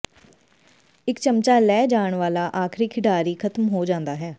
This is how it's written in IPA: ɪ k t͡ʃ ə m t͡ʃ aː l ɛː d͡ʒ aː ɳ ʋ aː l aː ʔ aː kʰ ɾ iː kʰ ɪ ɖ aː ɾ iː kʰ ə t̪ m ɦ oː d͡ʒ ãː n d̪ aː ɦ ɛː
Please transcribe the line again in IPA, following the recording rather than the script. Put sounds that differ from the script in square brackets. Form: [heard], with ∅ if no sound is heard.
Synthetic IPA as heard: ɪ k t͡ʃ ə m t͡ʃ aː l ɛː d͡ʒ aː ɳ ʋ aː l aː ʔ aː kʰ ɾ iː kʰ ɪ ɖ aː ɾ iː kʰ ə t̪ m ɦ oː d͡ʒ ãː n d̪ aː ɦ ɛː